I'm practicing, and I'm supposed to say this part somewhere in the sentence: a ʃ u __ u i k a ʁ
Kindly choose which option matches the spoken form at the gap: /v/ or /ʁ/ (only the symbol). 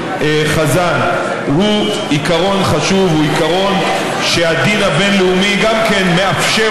v